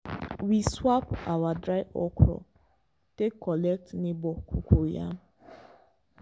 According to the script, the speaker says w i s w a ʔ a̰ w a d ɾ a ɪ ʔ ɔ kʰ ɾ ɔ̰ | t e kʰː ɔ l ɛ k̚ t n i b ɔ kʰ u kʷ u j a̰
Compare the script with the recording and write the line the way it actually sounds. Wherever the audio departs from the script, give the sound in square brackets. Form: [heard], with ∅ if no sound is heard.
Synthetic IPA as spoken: w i s w a [p] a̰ w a d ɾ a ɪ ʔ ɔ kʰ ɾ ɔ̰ | t e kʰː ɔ l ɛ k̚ t n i b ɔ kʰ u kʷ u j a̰